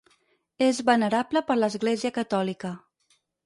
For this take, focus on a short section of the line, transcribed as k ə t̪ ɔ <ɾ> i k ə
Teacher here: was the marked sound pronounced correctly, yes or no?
no